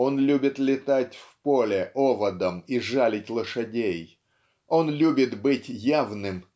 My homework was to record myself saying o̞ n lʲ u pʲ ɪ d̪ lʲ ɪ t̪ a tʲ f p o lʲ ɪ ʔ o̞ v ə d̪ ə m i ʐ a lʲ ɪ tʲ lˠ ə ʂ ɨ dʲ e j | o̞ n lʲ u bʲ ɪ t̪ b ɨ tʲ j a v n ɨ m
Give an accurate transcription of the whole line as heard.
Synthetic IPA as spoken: o̞ n lʲ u bʲ ɪ t̪ lʲ ɪ t̪ a tʲ f p o lʲ ɪ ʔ o̞ v ə d̪ ə m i ʐ a lʲ ɪ tʲ lˠ ə ʂ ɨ dʲ e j | o̞ n lʲ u bʲ ɪ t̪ b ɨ tʲ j a v n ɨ m